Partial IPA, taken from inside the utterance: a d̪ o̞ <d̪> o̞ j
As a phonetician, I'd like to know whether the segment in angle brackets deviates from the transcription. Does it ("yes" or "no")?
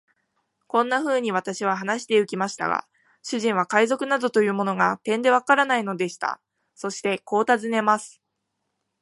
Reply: yes